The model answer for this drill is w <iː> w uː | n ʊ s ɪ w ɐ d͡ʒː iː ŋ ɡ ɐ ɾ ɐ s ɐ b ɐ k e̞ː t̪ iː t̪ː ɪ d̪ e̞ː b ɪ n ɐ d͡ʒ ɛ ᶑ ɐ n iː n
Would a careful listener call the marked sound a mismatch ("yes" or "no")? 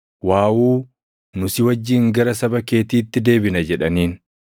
yes